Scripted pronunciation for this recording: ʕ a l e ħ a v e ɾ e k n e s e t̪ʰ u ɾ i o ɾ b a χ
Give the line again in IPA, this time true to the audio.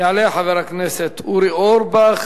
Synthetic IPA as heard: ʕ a l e ħ a v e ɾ a k n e s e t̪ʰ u ɾ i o ɾ b a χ